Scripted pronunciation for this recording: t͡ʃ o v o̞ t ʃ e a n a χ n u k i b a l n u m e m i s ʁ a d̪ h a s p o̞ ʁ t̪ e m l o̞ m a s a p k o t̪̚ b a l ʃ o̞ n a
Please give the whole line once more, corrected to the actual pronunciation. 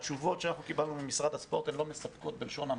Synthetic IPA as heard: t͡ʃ u v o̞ t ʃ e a n a χ n u k i b a l n u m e m i s ʁ a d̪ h a s p o̞ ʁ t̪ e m l o̞ m e s a p k o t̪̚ b e l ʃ o̞ n a

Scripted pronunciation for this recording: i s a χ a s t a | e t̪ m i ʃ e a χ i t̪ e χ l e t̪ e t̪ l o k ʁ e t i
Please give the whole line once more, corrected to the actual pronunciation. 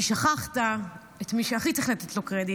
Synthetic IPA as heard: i ʃ a χ a χ t a | e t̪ m i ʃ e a χ i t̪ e χ l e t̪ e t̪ l o k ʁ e d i

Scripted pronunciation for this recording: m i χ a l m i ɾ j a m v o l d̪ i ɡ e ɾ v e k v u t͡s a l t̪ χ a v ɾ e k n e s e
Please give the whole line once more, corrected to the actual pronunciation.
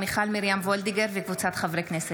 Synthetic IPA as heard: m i χ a l m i ɾ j a m v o l d̪ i ɡ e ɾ v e k v u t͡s a t̪ χ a v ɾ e k n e s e

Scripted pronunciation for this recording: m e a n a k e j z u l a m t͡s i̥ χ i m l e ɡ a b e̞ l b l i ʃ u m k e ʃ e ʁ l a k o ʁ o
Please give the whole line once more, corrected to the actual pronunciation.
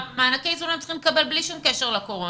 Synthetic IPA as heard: m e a n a k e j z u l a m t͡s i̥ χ i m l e k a b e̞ l b l i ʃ u m k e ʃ e ʁ l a k o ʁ o

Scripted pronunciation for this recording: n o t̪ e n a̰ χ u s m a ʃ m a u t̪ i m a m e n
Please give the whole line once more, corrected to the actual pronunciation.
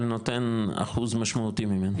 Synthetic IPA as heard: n o t̪ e n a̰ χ u z m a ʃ m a u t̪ i m i m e n

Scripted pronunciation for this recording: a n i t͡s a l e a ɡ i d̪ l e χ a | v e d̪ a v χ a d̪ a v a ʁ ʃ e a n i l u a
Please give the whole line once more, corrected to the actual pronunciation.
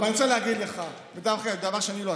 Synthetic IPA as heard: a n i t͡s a l e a ɡ i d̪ l e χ a | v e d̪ a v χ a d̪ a v a ʁ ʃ e a n i l o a

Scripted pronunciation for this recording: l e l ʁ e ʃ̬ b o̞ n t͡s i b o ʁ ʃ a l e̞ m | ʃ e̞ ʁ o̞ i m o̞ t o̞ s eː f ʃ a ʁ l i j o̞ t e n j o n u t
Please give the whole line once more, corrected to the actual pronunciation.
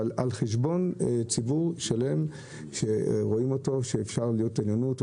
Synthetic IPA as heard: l a l χ e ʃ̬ b o̞ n t͡s i b u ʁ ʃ a l e̞ m | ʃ e̞ ʁ o̞ i m o̞ t o̞ ʃ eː f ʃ a ʁ l i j o̞ t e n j o n u t

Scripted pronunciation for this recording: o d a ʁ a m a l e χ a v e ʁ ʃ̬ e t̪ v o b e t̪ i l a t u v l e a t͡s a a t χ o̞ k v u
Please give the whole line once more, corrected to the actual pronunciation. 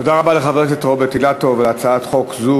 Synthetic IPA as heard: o d a ʁ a b a l e χ a v e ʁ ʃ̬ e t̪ ʁ o b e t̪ i l a t o v l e a t͡s a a t χ o̞ k z u

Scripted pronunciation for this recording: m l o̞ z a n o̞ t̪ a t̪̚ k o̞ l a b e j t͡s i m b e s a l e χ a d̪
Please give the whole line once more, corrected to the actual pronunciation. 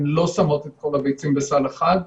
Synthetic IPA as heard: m l o̞ s a m o̞ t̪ e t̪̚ k o̞ l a b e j t͡s i m b e s a l e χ a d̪

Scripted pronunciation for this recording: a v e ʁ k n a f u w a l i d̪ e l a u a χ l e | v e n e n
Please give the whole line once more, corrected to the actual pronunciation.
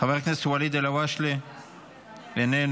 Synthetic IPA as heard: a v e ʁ k n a s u w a l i d̪ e l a w a ʃ l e | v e n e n

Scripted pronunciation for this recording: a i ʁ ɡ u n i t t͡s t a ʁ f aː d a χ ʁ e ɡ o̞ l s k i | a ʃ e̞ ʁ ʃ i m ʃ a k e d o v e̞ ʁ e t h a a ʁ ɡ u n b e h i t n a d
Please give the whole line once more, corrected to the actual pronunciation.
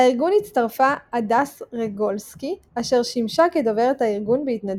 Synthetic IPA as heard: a i ʁ ɡ u n i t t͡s t a ʁ f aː d a s ʁ e ɡ o̞ l s k i | a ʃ e̞ ʁ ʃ i m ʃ a k e d o v e̞ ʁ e t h a i ʁ ɡ u n b e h i t n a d

